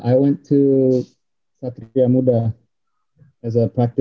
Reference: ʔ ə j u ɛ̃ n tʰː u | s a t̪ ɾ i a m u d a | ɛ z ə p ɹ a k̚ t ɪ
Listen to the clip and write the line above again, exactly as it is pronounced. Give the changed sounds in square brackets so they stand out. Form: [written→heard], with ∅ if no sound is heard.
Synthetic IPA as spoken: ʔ [ə→a] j [u→w] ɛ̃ n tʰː u | s a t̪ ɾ i a m u d a | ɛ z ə p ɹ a k̚ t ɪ